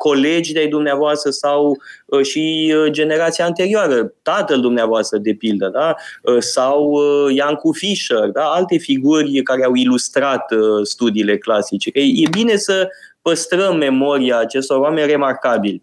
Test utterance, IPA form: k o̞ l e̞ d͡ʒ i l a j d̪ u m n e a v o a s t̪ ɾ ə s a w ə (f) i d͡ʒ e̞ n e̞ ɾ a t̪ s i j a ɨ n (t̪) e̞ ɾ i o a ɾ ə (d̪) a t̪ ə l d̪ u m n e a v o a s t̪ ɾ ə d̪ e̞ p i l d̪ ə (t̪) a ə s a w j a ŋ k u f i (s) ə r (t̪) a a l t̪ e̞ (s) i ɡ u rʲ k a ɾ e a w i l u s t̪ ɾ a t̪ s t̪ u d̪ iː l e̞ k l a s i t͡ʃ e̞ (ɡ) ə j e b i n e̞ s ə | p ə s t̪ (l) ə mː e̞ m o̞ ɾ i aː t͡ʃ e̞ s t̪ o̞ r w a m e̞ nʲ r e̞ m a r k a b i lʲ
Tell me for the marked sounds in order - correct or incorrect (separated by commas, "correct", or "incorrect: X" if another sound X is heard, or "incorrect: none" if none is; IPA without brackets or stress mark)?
incorrect: ʃ, correct, incorrect: t̪, incorrect: d̪, incorrect: ʃ, incorrect: d̪, incorrect: f, incorrect: k, incorrect: ɾ